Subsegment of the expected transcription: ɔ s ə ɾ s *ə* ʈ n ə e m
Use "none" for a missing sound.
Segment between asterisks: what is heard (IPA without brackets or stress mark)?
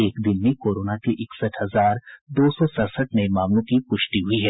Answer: ə